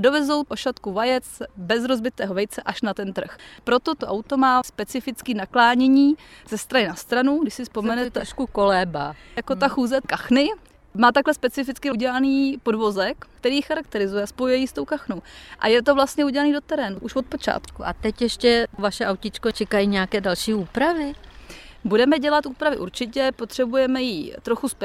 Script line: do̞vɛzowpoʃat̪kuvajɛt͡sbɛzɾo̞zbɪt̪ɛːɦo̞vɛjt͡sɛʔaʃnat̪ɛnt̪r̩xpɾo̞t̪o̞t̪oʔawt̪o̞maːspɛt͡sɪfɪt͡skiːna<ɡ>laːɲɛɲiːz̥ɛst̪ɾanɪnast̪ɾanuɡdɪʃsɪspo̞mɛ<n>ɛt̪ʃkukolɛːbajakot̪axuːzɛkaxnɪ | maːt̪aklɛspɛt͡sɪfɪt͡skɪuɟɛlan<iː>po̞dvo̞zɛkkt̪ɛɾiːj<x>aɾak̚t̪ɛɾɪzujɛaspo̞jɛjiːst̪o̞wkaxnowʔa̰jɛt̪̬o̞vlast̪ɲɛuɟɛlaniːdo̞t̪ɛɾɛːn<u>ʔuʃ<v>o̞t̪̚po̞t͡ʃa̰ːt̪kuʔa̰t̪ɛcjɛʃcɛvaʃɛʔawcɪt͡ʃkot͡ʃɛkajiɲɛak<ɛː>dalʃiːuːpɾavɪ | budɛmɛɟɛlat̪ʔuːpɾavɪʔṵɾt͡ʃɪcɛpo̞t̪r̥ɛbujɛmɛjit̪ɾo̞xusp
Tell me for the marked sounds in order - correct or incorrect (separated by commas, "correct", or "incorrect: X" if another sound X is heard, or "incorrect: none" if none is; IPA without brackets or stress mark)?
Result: incorrect: k, correct, correct, correct, correct, correct, correct